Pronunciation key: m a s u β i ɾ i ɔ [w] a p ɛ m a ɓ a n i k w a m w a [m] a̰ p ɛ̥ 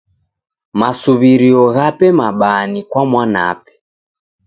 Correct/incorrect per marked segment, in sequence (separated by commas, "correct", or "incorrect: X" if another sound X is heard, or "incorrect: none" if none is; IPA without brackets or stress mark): incorrect: ɣ, incorrect: n